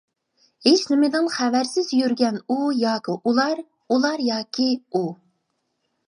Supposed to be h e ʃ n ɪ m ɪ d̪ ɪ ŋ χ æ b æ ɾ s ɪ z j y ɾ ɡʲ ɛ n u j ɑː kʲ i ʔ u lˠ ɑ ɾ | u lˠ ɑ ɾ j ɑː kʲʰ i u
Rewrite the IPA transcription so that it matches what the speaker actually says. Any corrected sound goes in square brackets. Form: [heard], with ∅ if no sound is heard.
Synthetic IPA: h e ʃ n ɪ m ɪ d̪ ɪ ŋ χ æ [v] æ ɾ s ɪ z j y ɾ ɡʲ ɛ n u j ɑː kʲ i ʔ u lˠ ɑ ɾ | u lˠ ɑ ɾ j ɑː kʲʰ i u